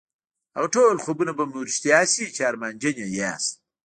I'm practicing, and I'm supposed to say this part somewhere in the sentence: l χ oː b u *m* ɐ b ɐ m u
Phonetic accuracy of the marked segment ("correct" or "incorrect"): incorrect